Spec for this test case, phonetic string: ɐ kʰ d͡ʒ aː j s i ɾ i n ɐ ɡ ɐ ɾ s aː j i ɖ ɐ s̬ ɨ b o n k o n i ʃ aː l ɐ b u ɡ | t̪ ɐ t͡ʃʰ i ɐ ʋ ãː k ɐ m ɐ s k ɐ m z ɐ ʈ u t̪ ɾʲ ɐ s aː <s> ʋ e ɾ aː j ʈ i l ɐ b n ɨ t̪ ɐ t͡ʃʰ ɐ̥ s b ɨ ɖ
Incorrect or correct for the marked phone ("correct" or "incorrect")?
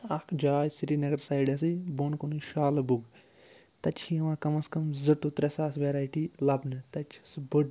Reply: correct